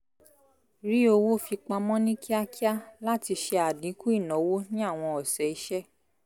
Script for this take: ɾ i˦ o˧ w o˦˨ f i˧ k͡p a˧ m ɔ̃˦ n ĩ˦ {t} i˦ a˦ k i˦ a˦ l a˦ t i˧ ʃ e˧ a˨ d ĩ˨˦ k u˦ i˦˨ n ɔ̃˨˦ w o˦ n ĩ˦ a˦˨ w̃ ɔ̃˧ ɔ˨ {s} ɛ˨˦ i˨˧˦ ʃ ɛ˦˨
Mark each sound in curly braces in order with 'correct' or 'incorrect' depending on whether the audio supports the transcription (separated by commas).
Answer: incorrect, correct